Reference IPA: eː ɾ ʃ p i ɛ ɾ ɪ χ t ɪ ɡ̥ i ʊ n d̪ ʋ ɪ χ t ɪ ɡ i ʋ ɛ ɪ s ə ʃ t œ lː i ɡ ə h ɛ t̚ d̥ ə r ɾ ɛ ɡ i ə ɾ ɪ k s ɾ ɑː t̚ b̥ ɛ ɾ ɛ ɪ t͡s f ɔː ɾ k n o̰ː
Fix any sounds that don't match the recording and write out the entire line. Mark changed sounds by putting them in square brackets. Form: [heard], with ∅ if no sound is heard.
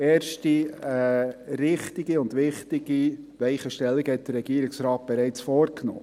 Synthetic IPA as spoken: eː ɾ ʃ [t] i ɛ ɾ ɪ χ t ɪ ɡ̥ i ʊ n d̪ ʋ ɪ χ t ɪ ɡ i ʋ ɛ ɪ [χ] ə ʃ t [ɛ] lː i ɡ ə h ɛ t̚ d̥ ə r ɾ ɛ ɡ i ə ɾ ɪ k s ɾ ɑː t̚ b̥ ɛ ɾ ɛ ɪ t͡s f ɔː ɾ k n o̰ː